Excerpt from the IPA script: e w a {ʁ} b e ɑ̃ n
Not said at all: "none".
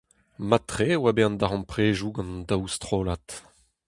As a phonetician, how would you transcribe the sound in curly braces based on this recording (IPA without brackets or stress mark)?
none